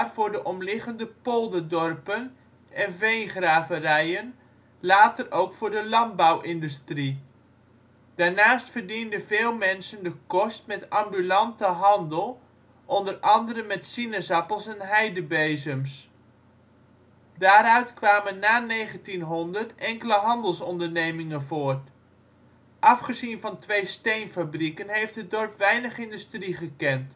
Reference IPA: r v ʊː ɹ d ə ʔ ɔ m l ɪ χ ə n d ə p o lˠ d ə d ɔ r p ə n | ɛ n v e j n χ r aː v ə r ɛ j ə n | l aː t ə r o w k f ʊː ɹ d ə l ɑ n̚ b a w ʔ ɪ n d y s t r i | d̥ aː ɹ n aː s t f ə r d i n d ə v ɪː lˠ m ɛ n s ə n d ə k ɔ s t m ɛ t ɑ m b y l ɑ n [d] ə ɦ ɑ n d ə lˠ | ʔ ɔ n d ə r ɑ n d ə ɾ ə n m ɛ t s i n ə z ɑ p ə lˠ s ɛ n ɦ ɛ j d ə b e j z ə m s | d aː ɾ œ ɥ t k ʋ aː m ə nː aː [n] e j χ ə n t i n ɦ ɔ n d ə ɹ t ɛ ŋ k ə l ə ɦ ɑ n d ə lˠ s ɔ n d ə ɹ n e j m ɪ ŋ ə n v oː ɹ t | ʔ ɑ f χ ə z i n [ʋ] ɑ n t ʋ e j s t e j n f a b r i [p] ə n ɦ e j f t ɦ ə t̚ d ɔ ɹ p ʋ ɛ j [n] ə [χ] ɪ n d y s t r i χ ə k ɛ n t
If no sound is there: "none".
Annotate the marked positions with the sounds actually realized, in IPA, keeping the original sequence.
t, n, v, k, n, χ

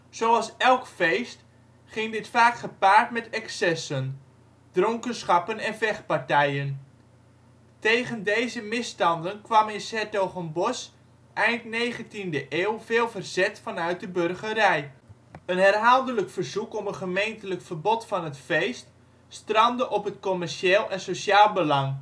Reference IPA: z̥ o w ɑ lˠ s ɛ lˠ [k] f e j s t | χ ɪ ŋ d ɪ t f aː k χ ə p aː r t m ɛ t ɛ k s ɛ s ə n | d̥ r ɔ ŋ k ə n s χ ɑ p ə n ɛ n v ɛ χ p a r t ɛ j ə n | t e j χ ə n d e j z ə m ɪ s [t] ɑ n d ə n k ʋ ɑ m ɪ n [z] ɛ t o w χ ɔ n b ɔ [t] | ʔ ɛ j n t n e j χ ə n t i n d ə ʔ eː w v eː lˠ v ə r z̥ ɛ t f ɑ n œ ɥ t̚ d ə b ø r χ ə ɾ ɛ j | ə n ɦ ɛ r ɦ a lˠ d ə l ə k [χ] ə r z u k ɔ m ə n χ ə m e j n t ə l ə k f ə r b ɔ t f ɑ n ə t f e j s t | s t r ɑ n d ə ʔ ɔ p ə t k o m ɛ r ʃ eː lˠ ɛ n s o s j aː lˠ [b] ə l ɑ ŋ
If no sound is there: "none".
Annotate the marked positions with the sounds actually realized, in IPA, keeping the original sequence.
k, t, s, s, f, b

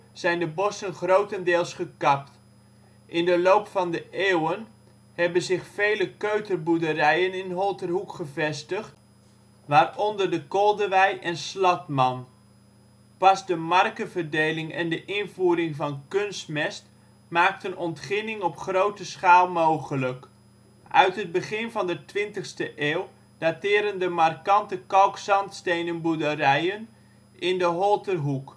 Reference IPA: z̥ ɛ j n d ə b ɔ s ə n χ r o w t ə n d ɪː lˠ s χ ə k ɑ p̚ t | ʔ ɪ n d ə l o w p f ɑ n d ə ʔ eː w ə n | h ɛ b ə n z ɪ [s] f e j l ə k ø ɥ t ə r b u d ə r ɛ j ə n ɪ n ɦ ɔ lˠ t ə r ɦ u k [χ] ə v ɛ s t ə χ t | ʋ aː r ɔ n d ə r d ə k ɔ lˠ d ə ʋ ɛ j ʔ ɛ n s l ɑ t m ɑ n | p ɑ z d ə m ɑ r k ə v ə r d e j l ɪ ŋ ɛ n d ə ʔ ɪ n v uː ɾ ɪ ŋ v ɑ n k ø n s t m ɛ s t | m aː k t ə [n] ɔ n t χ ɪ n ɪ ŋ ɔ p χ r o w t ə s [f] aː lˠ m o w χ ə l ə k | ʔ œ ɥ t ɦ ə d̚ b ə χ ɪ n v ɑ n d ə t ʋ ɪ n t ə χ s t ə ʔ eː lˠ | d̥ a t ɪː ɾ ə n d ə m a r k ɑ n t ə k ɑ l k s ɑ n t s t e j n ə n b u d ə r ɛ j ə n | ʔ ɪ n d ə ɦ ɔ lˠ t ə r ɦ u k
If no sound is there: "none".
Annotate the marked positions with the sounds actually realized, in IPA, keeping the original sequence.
χ, χ, n, χ

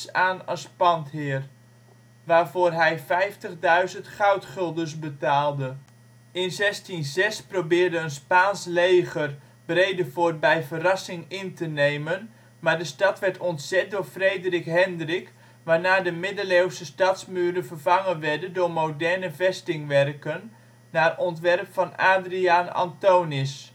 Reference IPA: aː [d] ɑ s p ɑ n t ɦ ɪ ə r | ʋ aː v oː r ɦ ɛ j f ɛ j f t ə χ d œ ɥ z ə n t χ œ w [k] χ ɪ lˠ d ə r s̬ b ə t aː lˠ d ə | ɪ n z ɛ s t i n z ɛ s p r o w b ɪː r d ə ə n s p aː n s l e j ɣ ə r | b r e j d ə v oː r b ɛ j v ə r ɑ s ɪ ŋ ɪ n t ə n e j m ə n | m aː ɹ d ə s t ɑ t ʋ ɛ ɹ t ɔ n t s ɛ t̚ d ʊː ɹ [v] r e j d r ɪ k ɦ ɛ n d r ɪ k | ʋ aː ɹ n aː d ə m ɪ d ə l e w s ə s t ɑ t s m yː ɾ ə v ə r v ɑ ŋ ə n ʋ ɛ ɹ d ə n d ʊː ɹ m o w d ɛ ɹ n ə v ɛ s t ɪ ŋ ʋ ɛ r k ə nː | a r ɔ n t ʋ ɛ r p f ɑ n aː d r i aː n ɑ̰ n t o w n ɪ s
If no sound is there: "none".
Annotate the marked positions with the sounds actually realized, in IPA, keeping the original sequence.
n, t, f

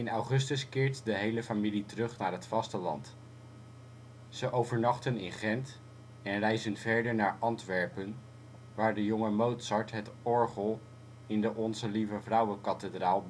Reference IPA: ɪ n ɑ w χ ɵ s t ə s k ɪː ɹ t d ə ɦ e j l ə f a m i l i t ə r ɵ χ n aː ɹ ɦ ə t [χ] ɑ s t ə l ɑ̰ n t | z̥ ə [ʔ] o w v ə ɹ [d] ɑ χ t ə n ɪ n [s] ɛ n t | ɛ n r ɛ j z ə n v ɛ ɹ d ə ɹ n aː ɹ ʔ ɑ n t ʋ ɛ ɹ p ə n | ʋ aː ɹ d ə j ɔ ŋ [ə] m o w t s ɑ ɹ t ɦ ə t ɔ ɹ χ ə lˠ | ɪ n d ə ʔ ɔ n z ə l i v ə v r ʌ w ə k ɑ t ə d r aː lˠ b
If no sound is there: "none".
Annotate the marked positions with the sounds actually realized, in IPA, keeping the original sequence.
f, ʔ, n, χ, ə

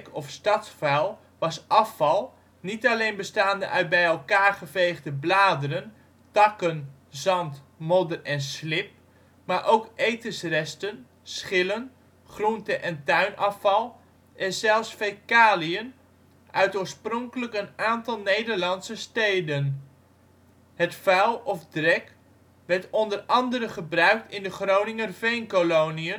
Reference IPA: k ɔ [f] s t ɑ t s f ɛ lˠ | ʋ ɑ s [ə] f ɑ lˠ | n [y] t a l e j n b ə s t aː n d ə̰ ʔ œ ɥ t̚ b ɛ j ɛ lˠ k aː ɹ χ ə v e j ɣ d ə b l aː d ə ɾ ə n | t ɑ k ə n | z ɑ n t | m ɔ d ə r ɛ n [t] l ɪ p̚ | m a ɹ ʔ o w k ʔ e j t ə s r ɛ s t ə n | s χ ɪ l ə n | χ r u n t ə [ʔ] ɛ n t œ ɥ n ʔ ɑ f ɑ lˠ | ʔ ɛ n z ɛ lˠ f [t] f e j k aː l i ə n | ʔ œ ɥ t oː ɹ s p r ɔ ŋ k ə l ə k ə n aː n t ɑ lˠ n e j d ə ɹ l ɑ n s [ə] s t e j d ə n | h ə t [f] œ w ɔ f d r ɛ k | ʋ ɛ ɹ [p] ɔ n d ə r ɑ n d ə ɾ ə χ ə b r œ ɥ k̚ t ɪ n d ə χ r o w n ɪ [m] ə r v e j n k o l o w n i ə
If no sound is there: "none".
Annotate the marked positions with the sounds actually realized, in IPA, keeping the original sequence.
f, ɑ, i, s, ʔ, s, ə, f, t, ŋ

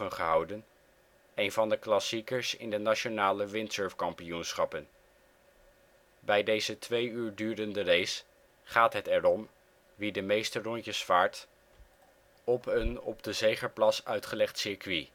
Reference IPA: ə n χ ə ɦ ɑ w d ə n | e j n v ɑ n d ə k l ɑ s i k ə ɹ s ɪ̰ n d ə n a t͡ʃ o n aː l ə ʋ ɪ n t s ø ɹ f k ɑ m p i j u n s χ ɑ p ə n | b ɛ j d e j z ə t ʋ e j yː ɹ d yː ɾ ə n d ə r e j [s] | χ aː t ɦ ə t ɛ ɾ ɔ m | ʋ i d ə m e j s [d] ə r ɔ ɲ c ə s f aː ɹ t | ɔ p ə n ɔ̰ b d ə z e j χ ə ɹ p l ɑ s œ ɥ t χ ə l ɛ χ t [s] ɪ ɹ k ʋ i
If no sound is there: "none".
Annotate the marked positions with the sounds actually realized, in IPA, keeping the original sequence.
s, t, s

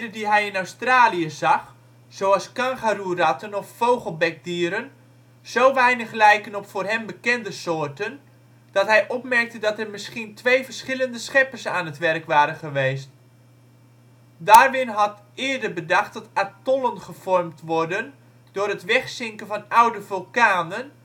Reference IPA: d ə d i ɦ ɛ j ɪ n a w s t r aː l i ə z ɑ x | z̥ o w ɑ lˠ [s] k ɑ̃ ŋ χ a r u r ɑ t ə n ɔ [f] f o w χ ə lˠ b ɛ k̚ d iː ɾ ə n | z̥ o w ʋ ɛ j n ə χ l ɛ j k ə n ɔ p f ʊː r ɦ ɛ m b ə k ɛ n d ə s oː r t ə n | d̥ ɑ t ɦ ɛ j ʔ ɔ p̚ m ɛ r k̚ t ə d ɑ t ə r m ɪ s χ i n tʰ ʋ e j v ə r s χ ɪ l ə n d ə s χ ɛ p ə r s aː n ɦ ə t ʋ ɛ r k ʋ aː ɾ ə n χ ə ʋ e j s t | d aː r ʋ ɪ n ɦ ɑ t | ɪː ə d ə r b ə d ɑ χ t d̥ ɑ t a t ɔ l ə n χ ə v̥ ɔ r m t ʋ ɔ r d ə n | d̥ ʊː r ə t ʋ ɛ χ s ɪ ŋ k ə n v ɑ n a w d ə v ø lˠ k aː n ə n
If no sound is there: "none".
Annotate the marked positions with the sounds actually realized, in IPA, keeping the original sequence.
s, f

